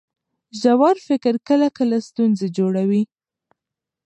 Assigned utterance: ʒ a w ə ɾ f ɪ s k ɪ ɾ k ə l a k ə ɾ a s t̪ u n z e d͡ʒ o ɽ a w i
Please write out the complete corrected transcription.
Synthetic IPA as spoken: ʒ a w ɑ ɾ f ɪ k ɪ ɾ k ə l a k ə l a s t̪ u n z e d͡ʒ o ɽ a w i